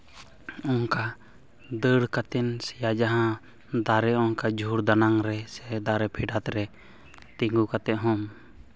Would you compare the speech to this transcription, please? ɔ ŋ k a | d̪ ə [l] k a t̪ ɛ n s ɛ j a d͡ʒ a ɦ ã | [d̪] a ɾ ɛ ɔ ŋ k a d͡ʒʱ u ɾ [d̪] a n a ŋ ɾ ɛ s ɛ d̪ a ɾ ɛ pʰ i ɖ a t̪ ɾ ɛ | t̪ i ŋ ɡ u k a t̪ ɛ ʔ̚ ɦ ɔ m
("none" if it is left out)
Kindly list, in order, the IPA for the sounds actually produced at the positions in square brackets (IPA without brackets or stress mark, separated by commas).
ɽ, d̪, d̪